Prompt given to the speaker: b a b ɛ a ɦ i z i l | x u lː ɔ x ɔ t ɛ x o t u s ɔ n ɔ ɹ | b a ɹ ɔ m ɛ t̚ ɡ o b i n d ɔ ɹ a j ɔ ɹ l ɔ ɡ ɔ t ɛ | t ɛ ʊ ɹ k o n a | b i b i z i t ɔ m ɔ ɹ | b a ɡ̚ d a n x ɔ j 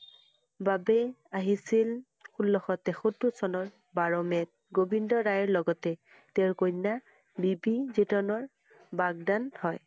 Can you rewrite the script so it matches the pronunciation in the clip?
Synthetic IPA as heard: b a b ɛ a ɦ i s i l | x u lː ɔ x ɔ t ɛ x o t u s ɔ n ɔ ɹ | b a ɹ ɔ m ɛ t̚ ɡ o b i n d ɔ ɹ a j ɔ ɹ l ɔ ɡ ɔ t ɛ | t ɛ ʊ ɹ k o n a | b i b i z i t ɔ n ɔ ɹ | b a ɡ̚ d a n h ɔ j